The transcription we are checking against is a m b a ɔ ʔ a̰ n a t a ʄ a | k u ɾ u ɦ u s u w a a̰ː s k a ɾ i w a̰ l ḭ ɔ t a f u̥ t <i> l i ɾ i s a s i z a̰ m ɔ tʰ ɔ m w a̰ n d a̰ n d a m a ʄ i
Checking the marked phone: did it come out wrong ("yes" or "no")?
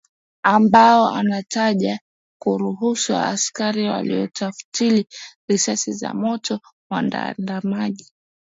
no